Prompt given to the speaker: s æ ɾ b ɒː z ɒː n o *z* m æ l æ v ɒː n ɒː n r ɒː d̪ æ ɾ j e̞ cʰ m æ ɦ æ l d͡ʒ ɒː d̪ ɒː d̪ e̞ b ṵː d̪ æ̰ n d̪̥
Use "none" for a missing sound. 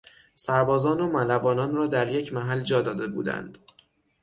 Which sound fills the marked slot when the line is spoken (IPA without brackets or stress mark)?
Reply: none